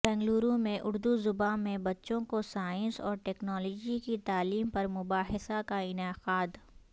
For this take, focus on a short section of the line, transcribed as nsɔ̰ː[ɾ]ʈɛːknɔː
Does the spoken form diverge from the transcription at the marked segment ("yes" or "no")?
no